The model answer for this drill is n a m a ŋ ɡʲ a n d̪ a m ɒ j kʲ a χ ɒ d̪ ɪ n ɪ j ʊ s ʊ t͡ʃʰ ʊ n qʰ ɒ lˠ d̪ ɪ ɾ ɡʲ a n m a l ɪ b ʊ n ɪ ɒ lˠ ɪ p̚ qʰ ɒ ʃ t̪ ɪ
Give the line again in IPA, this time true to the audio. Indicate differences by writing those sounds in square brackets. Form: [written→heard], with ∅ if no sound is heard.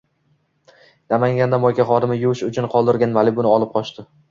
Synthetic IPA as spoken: n a m a ŋ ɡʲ a n d̪ a m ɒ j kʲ a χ ɒ d̪ ɪ [n→m] ɪ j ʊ [s→ʃ] ʊ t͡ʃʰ ʊ n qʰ ɒ lˠ d̪ ɪ ɾ ɡʲ a n m a l ɪ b ʊ n ɪ ɒ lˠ ɪ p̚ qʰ ɒ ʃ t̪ ɪ